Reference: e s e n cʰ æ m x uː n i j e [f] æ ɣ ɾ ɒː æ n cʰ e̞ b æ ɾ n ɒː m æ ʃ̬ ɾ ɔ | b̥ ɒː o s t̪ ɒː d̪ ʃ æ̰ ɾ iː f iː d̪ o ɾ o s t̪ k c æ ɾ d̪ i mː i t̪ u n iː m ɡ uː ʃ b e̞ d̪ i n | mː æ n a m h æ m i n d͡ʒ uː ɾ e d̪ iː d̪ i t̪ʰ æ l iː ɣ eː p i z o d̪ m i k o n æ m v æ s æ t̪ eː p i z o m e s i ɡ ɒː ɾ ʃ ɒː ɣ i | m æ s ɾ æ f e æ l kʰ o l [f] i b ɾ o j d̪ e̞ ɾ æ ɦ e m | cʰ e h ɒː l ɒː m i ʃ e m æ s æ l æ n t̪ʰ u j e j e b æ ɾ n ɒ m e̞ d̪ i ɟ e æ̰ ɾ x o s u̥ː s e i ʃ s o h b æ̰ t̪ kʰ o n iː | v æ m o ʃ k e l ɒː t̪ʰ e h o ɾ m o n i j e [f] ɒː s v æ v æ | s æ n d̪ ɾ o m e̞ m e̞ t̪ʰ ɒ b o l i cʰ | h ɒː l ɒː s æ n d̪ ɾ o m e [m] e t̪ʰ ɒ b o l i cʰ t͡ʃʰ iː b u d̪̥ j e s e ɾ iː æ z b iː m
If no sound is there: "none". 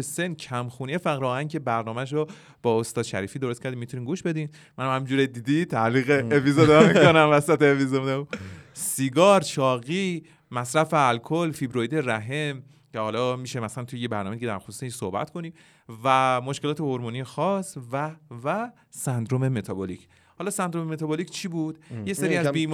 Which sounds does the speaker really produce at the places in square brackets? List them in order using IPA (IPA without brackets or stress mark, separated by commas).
f, f, x, m